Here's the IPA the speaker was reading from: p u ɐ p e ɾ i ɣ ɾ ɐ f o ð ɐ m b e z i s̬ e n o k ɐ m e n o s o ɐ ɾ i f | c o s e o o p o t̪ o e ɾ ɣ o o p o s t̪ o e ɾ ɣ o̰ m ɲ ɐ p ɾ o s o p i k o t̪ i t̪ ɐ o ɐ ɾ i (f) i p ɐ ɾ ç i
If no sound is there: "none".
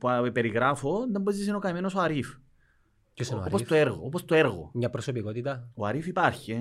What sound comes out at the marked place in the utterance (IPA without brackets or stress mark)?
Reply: f